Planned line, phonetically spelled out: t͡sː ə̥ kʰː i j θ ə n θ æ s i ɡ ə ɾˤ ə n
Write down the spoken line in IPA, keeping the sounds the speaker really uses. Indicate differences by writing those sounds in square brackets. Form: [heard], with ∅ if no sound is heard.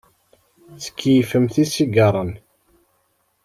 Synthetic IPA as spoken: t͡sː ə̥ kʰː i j [f] ə [m] θ [i] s i ɡ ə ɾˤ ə n